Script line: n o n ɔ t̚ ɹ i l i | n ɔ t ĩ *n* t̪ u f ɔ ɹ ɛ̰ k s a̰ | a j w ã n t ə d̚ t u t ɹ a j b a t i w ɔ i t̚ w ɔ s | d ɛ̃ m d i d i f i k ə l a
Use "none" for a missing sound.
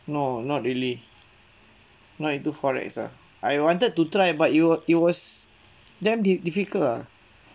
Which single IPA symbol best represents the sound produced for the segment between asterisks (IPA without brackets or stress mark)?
n